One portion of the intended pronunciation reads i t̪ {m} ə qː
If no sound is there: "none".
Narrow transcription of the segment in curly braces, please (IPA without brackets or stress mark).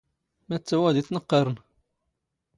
n